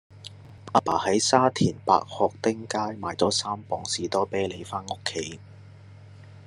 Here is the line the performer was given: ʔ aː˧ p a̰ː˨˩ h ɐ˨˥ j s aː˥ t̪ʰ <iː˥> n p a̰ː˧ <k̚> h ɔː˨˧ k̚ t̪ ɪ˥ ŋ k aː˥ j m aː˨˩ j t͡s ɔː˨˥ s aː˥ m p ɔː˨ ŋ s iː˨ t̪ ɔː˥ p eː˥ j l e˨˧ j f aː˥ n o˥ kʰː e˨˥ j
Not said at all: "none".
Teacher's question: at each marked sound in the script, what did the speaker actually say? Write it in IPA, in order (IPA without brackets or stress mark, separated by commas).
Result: iː˨˩, k̚